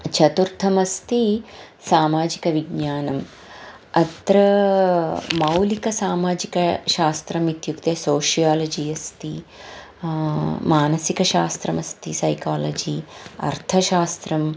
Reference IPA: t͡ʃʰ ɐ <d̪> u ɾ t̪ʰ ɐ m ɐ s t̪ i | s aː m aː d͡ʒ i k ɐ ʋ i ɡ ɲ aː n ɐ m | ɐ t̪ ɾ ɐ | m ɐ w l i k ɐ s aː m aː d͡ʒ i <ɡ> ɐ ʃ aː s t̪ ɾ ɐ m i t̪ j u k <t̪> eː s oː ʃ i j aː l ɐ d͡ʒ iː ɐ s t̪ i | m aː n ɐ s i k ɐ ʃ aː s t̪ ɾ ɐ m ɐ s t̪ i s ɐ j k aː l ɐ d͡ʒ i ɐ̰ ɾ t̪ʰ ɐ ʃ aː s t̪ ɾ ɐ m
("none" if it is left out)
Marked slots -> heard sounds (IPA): t̪, k, t̪

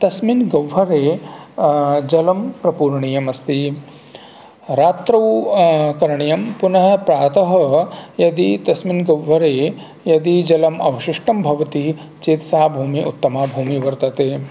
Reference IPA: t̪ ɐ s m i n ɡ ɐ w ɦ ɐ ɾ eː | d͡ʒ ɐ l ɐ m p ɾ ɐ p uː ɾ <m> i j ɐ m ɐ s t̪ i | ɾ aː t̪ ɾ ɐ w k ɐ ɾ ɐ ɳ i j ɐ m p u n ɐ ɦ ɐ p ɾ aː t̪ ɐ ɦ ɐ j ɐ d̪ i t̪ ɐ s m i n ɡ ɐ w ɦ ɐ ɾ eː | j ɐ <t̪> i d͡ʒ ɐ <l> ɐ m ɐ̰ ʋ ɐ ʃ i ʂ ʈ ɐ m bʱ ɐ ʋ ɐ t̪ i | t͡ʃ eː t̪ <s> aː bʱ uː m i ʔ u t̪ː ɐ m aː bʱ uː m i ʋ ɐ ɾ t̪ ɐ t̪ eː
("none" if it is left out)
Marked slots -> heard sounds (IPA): ɳ, d̪, l, s

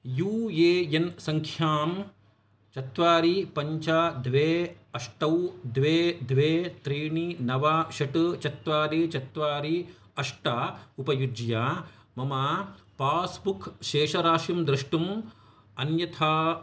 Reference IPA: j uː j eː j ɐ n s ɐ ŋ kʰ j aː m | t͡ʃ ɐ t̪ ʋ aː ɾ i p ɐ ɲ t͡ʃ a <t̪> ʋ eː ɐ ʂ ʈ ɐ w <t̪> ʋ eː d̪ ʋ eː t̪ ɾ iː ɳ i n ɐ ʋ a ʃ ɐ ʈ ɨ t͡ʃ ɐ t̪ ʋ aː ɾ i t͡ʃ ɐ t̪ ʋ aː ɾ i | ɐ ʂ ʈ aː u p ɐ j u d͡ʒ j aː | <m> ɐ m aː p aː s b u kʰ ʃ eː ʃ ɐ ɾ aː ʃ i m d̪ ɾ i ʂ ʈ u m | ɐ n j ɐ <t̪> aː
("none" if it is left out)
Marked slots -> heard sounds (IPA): d̪, d̪, m, t̪ʰ

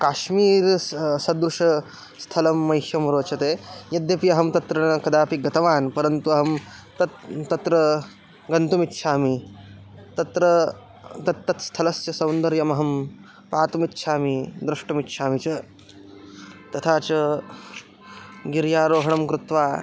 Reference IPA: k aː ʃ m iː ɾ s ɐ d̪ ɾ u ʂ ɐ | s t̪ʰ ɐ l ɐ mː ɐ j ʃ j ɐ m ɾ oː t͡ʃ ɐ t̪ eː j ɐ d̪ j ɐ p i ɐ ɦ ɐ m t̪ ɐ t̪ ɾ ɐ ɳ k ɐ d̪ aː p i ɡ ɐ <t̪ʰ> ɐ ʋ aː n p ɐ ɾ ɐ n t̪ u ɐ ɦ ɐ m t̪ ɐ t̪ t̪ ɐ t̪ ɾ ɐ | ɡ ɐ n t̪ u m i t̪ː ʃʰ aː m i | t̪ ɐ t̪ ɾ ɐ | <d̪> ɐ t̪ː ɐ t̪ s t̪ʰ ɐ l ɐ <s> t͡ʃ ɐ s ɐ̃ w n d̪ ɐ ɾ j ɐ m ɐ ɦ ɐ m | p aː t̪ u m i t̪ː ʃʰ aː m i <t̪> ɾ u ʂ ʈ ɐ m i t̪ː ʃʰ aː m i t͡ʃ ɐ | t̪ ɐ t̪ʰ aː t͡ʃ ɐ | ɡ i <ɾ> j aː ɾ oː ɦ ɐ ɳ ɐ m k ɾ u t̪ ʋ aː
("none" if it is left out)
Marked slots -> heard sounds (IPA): t̪, t̪, s, d̪, ɾ

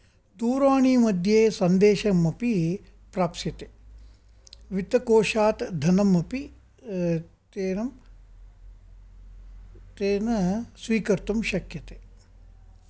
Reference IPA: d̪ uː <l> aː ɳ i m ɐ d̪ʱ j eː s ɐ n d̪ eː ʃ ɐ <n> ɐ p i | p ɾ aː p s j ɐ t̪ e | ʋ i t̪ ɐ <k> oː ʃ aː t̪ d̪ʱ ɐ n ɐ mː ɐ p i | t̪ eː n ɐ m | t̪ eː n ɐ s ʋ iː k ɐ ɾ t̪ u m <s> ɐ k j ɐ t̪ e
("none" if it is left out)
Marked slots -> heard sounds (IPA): ɾ, m, k, ʃ

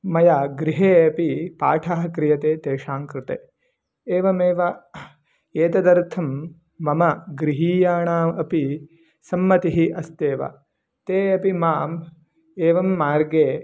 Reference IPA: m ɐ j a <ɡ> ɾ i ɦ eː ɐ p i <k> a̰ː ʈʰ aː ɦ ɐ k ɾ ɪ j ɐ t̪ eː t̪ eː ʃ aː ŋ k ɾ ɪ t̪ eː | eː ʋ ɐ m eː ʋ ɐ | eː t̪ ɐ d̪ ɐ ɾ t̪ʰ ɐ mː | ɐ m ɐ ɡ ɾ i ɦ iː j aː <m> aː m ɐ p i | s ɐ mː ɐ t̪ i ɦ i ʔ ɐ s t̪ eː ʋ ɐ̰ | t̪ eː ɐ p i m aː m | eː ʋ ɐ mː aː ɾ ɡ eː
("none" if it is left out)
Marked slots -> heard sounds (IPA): ɡ, p, ɳ

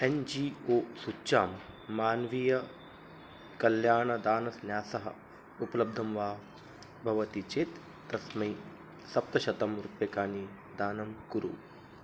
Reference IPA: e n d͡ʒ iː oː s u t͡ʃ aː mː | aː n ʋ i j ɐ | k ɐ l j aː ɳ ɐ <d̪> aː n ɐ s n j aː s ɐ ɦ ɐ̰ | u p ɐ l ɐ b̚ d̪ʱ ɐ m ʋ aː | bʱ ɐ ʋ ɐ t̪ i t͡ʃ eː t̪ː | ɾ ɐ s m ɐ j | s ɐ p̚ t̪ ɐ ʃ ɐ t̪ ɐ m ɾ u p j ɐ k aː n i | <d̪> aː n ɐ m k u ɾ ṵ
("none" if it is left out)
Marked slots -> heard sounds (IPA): d̪, d̪

